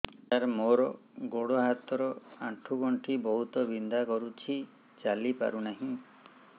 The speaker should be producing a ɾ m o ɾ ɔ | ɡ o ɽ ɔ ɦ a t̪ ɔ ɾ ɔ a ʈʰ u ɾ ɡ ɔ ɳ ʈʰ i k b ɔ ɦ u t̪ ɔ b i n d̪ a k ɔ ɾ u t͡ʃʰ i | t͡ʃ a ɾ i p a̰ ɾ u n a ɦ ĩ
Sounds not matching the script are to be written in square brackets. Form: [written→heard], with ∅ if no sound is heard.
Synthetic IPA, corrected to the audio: a ɾ m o ɾ ɔ | ɡ o ɽ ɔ ɦ a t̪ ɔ ɾ ɔ a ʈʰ u [ɾ→∅] ɡ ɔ ɳ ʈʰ i [k→∅] b ɔ ɦ u t̪ ɔ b i n d̪ a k ɔ ɾ u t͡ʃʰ i | t͡ʃ a [ɾ→l] i p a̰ ɾ u n a ɦ ĩ